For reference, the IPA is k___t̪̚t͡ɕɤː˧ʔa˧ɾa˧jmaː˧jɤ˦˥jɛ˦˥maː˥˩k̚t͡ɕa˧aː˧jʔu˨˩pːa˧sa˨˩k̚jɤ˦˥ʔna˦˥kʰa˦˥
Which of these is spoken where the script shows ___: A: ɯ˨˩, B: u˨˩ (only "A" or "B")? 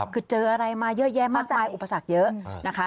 A